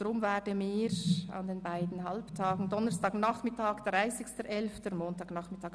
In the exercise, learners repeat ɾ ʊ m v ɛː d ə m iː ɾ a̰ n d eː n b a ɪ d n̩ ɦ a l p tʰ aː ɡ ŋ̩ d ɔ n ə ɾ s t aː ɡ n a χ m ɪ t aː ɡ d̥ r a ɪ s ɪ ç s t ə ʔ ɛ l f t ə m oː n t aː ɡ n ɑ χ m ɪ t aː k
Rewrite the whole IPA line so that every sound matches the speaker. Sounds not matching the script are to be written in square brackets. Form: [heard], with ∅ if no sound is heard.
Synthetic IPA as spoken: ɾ ʊ m v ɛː d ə m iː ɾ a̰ n d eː n b a ɪ d n̩ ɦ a l p tʰ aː ɡ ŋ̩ d ɔ n ə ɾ s t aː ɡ n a χ m ɪ t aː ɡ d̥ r a ɪ s ɪ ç s t ə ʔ ɛ l f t ə m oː n t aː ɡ n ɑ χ m ɪ t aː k